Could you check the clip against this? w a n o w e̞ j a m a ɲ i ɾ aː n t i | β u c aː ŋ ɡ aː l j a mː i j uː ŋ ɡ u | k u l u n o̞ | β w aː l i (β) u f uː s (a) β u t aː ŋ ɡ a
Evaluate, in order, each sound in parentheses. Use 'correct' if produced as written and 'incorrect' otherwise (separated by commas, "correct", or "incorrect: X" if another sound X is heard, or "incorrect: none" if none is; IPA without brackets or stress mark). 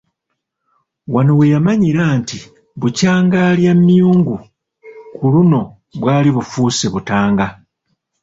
correct, incorrect: e